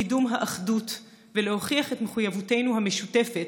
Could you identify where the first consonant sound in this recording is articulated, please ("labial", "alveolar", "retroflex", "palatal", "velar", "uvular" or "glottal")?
alveolar